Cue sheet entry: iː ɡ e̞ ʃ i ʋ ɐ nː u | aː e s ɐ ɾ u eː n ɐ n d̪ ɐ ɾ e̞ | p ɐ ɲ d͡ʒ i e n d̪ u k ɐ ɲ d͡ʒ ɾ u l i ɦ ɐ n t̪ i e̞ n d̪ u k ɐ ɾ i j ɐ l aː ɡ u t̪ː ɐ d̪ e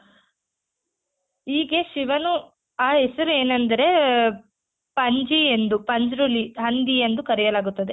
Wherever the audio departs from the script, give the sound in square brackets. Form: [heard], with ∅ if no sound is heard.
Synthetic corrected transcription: iː ɡ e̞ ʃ i ʋ ɐ [n] u | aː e s ɐ ɾ u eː n ɐ n d̪ ɐ ɾ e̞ | p ɐ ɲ d͡ʒ i e n d̪ u [p] ɐ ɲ d͡ʒ ɾ u l i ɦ ɐ n [d̪] i e̞ n d̪ u k ɐ ɾ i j ɐ l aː ɡ u t̪ː ɐ d̪ e